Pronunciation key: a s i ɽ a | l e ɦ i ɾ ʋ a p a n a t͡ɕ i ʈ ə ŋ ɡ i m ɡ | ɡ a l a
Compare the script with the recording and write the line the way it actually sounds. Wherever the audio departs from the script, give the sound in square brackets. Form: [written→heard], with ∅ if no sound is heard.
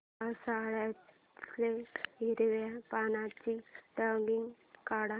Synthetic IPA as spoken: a s [i→a] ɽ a | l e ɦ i ɾ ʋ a p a n a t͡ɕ i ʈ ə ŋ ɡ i [m→ŋ] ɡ | [ɡ→k] a [l→ɽ] a